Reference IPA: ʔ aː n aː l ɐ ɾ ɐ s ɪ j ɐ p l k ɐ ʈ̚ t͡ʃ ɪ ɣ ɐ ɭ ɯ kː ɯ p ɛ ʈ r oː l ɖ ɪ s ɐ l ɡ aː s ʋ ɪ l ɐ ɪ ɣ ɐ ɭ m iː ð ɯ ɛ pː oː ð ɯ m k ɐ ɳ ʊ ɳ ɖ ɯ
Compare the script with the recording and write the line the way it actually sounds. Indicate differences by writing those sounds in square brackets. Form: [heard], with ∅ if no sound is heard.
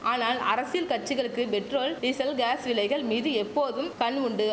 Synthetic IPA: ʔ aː n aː l ɐ ɾ ɐ s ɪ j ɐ [∅] l k ɐ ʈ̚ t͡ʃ ɪ ɣ ɐ ɭ ɯ kː ɯ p ɛ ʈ r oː l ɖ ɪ s ɐ l ɡ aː s ʋ ɪ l ɐ ɪ ɣ ɐ ɭ m iː ð ɯ ɛ pː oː ð ɯ m k ɐ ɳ ʊ ɳ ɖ ɯ